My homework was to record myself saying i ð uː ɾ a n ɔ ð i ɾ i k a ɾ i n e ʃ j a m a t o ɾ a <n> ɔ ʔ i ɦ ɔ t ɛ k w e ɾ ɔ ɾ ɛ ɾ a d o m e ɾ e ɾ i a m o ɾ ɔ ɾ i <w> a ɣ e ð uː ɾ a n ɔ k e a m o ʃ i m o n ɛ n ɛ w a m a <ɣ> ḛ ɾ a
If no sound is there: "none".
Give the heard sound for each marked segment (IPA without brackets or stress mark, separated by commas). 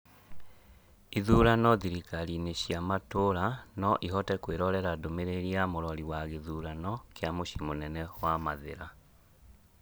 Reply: n, w, ð